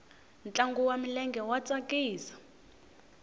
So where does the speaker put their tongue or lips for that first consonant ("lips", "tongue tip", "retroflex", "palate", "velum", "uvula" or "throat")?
tongue tip